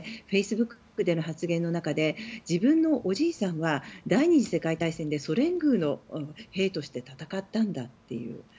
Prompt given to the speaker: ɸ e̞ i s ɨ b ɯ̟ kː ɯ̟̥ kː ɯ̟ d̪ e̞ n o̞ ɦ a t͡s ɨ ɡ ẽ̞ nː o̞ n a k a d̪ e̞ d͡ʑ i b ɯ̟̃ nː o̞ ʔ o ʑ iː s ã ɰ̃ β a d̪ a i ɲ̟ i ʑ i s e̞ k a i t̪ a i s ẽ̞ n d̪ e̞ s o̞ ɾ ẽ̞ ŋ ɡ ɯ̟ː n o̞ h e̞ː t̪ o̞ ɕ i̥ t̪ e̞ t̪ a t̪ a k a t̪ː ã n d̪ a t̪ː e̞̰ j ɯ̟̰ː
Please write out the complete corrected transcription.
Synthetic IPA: ɸ e̞ i s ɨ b ɯ̟ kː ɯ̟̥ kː ɯ̟ d̪ e̞ n o̞ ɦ a t͡s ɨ ɡ ẽ̞ nː o̞ n a k a d̪ e̞ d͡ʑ i b ɯ̟̃ nː o̞ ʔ o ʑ iː s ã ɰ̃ β a d̪ a i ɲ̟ i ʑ i s e̞ k a i t̪ a i s ẽ̞ n d̪ e̞ s o̞ ɾ ẽ̞ ŋ ɡ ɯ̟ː n o̞ h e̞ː t̪ o̞ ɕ i̥ t̪ e̞ t̪ a t̪ a k a t̪ː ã n d̪ a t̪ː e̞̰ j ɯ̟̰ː